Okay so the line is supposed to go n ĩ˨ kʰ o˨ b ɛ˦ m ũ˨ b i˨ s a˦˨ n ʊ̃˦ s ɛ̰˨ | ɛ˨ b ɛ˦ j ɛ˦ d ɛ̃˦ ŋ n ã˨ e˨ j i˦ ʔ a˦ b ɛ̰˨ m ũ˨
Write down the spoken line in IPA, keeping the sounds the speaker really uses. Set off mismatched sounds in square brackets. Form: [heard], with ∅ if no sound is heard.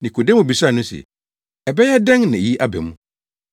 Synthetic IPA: n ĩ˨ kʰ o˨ [d] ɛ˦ m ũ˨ b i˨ s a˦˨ n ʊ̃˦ s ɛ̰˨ | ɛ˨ b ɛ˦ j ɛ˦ d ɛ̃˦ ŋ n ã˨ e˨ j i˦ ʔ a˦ b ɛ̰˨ m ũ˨